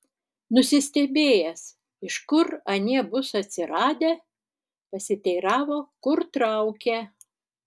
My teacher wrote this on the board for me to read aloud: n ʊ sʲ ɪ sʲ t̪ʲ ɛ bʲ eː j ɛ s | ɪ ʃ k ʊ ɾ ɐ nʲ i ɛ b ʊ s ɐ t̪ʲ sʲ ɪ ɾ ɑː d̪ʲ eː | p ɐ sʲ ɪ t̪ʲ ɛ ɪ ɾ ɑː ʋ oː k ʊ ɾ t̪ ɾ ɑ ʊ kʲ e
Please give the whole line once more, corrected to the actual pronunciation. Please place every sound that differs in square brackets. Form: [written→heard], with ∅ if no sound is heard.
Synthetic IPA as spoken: n ʊ sʲ ɪ sʲ t̪ʲ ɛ bʲ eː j ɛ s | ɪ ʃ k ʊ ɾ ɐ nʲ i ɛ b ʊ s ɐ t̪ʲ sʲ ɪ ɾ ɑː d̪ʲ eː | p ɐ sʲ ɪ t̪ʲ ɛ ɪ ɾ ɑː ʋ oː k ʊ ɾ t̪ ɾ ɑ ʊ kʲ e